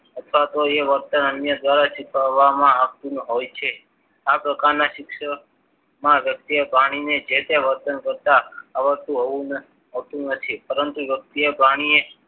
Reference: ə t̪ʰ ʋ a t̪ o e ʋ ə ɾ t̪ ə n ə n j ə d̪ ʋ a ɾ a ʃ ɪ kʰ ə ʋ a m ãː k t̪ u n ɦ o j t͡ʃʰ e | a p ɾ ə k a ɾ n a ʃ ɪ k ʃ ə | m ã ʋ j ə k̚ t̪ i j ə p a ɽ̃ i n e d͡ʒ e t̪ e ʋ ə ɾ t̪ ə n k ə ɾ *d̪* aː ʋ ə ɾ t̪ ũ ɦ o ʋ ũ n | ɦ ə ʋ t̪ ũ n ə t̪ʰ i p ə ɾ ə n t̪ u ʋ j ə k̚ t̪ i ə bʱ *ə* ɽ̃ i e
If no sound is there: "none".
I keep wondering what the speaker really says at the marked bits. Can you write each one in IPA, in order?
t̪, a

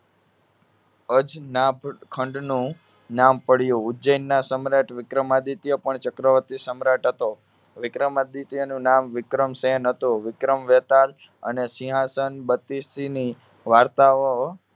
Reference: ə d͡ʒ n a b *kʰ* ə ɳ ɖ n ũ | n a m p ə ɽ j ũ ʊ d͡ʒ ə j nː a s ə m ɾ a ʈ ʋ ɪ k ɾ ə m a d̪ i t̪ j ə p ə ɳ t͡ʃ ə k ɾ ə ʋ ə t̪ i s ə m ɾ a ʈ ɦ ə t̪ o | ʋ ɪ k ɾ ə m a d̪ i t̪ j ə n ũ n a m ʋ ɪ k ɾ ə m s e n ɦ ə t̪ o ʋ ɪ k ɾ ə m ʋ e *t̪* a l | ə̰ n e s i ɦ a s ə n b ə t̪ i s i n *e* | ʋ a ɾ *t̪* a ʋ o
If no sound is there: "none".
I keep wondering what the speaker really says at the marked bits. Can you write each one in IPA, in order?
kʰ, t̪, i, t̪

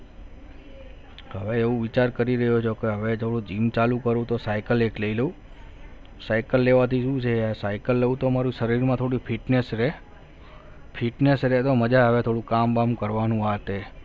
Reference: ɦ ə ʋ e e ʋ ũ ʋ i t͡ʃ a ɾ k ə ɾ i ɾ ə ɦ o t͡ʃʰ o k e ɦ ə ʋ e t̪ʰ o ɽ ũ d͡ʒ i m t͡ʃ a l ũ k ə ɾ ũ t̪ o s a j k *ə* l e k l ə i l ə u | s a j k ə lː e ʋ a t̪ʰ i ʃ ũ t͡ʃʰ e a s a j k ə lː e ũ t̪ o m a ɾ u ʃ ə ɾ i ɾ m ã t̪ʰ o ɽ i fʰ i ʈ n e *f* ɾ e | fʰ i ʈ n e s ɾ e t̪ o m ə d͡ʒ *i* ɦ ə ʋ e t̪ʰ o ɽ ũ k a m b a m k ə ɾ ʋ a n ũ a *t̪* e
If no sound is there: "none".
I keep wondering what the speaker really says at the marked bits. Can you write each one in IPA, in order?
ə, s, a, t̪

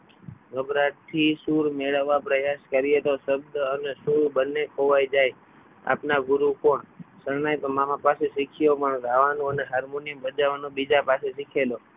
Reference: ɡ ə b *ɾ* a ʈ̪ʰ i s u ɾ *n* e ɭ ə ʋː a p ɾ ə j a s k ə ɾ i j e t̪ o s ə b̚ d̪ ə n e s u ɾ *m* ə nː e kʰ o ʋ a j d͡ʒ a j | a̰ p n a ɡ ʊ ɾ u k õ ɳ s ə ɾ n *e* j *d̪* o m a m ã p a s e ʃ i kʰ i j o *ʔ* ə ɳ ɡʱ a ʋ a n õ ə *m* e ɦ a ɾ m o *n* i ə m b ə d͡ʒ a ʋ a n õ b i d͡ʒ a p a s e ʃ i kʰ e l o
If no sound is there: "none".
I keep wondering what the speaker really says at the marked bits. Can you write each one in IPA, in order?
ɾ, m, b, a, t̪, p, n, n

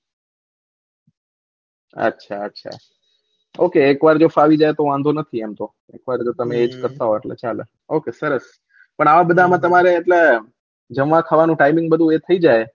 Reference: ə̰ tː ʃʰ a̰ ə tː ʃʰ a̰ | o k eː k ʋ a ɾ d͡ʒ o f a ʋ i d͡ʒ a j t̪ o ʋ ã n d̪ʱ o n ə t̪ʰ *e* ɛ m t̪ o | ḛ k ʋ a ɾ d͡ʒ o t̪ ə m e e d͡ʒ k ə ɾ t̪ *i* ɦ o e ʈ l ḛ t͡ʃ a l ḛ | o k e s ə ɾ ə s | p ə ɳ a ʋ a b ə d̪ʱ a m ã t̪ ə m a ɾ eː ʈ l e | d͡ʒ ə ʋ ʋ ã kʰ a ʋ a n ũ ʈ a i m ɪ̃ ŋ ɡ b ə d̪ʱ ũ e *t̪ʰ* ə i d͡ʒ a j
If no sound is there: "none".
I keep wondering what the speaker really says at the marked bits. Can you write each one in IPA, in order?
i, a, t̪ʰ

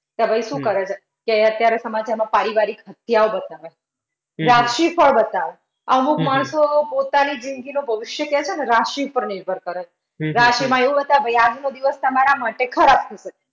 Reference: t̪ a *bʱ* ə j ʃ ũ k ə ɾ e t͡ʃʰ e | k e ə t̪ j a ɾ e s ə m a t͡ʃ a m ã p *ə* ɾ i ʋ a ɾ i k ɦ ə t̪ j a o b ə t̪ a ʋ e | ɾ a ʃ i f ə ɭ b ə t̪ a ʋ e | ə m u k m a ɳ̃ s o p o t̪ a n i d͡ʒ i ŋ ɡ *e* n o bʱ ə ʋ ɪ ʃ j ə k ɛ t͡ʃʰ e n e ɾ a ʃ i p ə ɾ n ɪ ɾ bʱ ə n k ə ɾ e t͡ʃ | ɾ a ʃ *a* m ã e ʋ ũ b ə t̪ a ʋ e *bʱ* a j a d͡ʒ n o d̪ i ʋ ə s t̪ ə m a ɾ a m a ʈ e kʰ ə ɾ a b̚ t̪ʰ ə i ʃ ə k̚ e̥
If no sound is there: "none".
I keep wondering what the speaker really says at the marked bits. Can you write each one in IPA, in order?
bʱ, a, i, i, bʱ

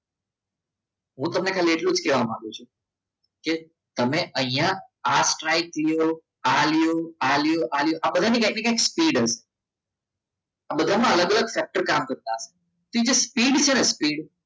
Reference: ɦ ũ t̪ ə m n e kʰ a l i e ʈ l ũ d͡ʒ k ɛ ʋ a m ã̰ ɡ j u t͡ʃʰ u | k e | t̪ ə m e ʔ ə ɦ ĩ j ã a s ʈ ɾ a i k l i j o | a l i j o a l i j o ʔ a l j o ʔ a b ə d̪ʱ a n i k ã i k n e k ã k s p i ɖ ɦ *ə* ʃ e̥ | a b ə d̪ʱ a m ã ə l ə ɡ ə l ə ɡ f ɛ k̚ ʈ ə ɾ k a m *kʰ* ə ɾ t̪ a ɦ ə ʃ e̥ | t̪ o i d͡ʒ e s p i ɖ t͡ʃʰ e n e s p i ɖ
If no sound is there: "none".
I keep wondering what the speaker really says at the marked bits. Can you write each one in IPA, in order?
ə, k

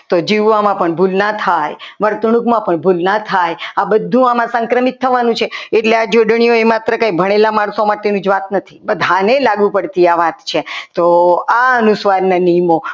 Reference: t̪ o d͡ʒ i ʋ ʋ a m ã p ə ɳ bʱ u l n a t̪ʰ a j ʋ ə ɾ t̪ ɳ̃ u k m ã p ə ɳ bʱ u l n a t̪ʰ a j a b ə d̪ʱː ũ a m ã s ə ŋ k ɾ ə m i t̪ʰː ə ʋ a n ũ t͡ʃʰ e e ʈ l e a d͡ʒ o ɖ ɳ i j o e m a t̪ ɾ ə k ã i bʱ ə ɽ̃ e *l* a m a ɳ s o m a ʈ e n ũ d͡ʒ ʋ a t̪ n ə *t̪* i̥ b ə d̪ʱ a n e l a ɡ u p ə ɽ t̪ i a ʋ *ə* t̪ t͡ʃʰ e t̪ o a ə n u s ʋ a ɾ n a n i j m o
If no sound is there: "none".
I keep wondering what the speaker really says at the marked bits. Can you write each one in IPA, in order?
l, t̪ʰ, a

